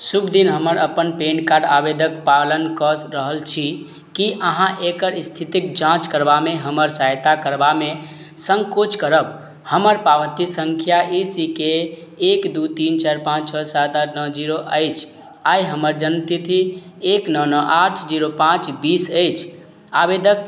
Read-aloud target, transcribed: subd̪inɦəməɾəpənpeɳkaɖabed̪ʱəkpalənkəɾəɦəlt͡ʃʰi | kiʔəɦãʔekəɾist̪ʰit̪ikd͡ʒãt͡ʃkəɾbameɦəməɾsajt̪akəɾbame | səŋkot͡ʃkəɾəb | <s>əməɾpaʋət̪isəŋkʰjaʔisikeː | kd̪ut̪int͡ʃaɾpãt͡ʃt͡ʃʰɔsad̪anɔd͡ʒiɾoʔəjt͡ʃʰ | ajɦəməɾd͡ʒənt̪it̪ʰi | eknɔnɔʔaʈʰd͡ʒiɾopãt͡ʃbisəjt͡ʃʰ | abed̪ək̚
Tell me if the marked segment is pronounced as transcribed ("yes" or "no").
no